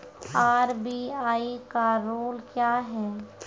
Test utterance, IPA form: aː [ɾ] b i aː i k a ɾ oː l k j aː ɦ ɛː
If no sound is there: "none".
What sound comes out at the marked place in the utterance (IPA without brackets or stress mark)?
ɾ